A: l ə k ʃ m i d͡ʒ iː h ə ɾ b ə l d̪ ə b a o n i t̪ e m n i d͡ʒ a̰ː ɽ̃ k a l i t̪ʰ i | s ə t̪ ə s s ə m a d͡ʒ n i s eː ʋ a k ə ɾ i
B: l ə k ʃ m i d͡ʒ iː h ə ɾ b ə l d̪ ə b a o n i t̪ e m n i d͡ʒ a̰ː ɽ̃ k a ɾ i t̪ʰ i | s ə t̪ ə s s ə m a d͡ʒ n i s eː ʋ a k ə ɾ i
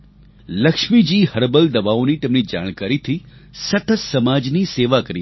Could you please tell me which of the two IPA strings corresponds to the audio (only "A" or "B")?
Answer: B